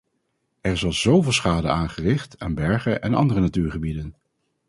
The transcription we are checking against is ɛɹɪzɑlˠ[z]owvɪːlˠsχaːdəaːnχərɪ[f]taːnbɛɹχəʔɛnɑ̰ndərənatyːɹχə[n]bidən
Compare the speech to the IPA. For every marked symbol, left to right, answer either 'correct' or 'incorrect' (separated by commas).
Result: correct, incorrect, incorrect